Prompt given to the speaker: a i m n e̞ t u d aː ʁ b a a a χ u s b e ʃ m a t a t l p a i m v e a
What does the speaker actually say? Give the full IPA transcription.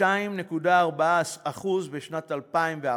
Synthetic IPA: a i m n e̞ k u d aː ʁ b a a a χ u z b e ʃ n a t a l p a i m v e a